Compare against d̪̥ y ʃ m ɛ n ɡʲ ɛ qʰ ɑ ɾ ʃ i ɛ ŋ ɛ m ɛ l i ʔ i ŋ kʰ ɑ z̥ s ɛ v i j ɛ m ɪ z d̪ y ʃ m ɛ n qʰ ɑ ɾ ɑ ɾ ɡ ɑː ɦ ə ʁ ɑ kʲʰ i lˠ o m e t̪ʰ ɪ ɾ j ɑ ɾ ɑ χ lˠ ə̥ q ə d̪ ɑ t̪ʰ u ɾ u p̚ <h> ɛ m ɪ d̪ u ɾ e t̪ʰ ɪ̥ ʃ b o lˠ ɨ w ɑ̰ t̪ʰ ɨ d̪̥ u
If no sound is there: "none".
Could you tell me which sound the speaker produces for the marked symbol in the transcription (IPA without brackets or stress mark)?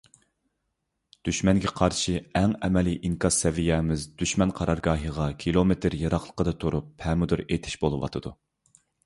h